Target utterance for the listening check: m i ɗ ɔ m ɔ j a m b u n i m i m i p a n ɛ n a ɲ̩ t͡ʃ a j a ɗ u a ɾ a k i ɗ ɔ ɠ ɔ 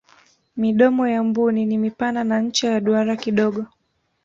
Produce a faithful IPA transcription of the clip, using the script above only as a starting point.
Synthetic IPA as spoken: m i ɗ ɔ m ɔ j a m b u n i n i m i p a n a n a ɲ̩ t͡ʃ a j a ɗ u a ɾ a k i ɗ ɔ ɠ ɔ